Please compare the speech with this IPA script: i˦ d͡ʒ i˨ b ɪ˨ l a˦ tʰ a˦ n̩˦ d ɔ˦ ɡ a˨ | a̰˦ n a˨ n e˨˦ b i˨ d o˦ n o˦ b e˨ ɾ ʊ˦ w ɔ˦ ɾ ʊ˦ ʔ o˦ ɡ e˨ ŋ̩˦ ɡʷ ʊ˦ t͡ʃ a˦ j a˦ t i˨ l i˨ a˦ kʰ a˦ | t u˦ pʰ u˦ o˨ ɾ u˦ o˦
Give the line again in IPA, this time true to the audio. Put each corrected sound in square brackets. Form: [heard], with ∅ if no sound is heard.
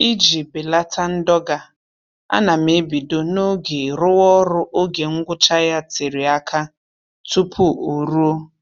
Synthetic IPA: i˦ d͡ʒ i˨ b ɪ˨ l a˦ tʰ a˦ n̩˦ d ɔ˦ ɡ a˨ | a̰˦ n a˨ [m] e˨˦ b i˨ d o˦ n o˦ [ɡ] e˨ ɾ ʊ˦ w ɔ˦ ɾ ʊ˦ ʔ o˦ ɡ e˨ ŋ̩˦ ɡʷ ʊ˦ t͡ʃ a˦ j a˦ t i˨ [ɾ] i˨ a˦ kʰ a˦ | t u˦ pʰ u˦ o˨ ɾ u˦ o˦